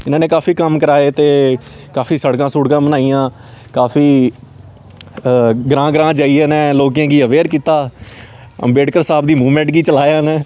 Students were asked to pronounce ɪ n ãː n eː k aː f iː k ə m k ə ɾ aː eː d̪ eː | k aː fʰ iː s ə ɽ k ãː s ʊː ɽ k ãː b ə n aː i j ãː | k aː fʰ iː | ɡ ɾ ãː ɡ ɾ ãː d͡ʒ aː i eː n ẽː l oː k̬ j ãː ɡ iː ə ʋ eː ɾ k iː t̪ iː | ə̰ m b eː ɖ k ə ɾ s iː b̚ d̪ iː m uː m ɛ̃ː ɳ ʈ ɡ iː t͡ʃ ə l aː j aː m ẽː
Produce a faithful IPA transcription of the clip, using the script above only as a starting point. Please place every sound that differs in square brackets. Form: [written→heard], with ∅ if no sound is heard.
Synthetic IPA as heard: ɪ n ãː n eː k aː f iː k ə m k ə ɾ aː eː [d̪→t̪] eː | k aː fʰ iː s ə ɽ k ãː s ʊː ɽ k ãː b ə n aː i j ãː | k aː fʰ iː | ɡ ɾ ãː ɡ ɾ ãː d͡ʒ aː i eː n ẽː l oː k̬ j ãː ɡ iː ə ʋ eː ɾ k iː t̪ [iː→aː] | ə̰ m b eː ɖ k ə ɾ s [iː→aː] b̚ d̪ iː m uː m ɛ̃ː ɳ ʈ ɡ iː t͡ʃ ə l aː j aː [m→n] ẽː